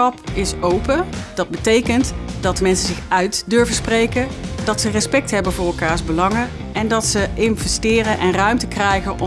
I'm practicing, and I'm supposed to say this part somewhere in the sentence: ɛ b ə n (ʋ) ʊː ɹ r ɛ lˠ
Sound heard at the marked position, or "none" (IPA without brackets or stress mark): v